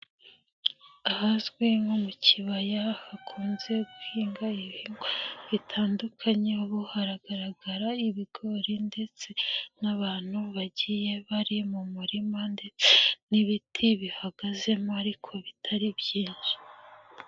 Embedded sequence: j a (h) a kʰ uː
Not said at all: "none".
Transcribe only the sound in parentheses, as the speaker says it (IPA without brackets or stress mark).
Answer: h